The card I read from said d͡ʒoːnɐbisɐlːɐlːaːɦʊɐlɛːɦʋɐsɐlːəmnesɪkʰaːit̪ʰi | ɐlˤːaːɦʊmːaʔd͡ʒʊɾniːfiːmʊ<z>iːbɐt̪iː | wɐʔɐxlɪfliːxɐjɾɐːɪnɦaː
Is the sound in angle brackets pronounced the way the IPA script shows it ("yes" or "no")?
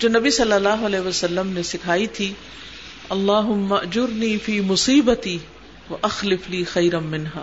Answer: no